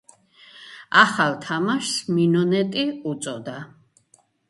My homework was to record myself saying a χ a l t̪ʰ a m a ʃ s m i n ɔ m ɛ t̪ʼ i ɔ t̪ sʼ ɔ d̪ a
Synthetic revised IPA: a χ a l t̪ʰ a m a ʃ s m i n ɔ n ɛ t̪ʼ i u t̪ sʼ ɔ d̪ a